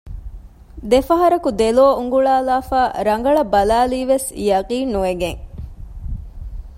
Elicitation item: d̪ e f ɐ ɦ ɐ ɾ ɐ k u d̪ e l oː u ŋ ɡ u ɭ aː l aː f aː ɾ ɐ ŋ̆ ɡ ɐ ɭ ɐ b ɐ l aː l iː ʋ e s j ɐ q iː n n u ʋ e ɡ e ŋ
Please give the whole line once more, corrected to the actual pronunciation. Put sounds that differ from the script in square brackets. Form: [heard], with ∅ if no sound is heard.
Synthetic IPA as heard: d̪ e f ɐ ɦ ɐ ɾ ɐ k u d̪ e l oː u ŋ ɡ u ɭ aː l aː f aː ɾ ɐ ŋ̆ ɡ ɐ ɭ ɐ b ɐ l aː l iː ʋ e s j ɐ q iː n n u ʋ e ɡ e ŋ